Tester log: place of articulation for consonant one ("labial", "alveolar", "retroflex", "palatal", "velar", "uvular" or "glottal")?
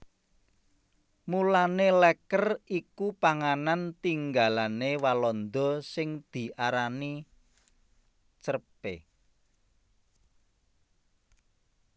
labial